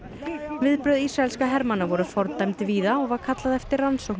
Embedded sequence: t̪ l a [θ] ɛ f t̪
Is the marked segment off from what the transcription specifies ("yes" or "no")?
yes